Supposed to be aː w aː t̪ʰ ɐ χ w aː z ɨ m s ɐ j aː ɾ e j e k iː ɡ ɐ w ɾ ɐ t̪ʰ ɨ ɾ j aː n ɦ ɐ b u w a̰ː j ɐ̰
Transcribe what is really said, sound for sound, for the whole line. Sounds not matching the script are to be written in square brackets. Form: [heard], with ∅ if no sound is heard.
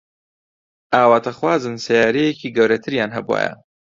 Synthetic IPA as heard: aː w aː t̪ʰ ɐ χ w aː z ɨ [n] s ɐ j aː ɾ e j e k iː ɡ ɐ w ɾ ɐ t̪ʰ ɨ ɾ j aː n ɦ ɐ b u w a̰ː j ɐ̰